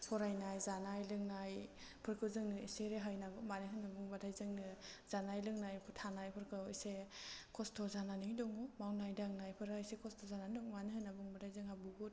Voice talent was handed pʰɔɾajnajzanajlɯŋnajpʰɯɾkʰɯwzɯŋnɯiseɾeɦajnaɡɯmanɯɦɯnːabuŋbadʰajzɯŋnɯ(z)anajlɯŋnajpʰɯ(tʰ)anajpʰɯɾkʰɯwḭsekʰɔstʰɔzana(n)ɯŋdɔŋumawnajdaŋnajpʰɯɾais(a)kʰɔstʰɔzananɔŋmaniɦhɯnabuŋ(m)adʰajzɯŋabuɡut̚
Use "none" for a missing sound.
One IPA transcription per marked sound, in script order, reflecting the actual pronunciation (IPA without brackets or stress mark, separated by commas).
z, tʰ, n, e, b